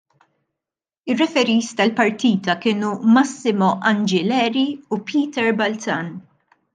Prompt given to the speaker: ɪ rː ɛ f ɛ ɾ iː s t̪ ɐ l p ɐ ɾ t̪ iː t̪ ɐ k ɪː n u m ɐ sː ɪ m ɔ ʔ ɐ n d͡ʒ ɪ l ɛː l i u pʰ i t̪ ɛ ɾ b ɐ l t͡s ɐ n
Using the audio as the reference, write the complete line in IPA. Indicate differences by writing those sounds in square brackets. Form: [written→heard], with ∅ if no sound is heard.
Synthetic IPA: ɪ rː ɛ f ɛ ɾ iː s t̪ ɐ l p ɐ ɾ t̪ iː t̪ ɐ k ɪː n u m ɐ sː ɪ m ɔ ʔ ɐ n d͡ʒ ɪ l ɛː [l→ɾ] i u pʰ [i→iː] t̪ ɛ ɾ b ɐ l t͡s ɐ n

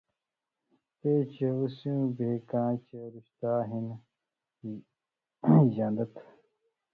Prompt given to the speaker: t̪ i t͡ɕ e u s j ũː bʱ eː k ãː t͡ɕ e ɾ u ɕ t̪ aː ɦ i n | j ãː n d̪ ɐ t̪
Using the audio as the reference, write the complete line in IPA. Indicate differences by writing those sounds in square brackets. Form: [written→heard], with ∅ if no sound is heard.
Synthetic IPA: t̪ [i→e] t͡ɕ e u s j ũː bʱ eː k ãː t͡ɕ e ɾ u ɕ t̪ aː ɦ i n | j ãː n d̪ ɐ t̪

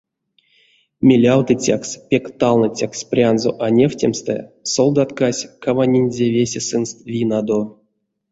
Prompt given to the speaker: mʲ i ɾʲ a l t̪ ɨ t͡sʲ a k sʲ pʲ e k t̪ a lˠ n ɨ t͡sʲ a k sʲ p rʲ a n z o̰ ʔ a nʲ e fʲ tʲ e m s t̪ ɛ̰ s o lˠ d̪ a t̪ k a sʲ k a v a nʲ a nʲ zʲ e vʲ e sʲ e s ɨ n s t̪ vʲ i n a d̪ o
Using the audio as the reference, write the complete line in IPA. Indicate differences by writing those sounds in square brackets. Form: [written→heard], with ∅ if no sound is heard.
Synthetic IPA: mʲ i [ɾʲ→lʲ] a l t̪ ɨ t͡sʲ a k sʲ pʲ e k t̪ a lˠ n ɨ t͡sʲ a k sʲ p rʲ a n z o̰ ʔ a nʲ e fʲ tʲ e m s t̪ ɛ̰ s o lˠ d̪ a t̪ k a sʲ k a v a nʲ [a→i] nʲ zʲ e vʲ e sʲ e s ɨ n s t̪ vʲ i n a d̪ o

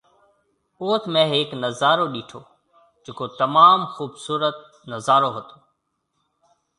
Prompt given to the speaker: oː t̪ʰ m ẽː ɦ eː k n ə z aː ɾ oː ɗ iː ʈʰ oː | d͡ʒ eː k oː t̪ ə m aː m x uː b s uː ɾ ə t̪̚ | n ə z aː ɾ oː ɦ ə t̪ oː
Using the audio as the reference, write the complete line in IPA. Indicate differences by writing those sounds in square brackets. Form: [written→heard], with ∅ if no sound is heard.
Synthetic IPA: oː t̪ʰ m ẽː ɦ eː k n ə z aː ɾ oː ɗ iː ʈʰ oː | d͡ʒ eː k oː t̪ ə m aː m x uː b s uː ɾ ə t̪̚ | n ə z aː ɾ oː ɦ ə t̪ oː

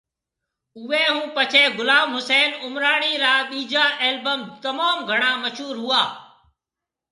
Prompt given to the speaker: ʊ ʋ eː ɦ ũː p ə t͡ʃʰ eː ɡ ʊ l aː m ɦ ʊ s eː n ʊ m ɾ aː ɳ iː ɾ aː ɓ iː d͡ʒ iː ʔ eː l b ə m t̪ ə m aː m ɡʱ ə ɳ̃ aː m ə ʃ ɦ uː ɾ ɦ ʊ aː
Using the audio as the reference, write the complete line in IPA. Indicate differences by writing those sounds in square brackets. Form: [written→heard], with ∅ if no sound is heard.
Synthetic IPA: ʊ ʋ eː ɦ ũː p ə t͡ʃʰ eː ɡ ʊ l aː m ɦ ʊ s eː n ʊ m ɾ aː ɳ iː ɾ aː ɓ iː d͡ʒ [iː→aː] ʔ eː l b ə m t̪ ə m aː m ɡʱ ə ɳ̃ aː m ə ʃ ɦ uː ɾ ɦ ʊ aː

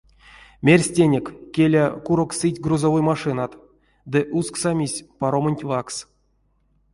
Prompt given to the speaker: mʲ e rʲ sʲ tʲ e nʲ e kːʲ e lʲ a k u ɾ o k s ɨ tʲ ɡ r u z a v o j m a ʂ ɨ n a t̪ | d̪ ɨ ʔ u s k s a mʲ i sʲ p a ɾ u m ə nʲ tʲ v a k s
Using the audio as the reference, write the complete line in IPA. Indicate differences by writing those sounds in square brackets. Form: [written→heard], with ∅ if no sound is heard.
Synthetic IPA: mʲ e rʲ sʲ tʲ e nʲ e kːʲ e lʲ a k u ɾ o k s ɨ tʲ ɡ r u z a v o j m a ʂ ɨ n a t̪ | d̪ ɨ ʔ u s k s a mʲ i sʲ p a ɾ [u→o] m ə nʲ tʲ v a k s

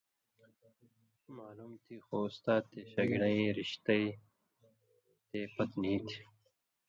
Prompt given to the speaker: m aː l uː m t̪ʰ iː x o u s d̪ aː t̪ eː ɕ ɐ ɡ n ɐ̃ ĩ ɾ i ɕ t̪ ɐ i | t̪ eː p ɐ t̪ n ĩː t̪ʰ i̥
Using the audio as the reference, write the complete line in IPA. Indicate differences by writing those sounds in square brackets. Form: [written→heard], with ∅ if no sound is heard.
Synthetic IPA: m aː l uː m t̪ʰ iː x o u s [d̪→t̪] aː t̪ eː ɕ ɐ ɡ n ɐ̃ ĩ ɾ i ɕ t̪ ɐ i | t̪ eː p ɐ t̪ n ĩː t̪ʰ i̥

